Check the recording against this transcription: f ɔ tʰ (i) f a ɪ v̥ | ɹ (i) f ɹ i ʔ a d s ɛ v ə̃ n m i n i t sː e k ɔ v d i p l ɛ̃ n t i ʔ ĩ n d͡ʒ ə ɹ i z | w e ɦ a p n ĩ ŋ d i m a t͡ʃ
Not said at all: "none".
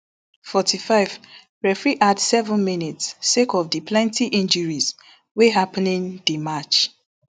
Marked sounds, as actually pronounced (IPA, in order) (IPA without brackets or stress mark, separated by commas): i, ɛ